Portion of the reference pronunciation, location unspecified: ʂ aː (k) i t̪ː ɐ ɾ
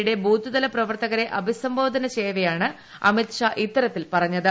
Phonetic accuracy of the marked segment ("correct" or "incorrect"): incorrect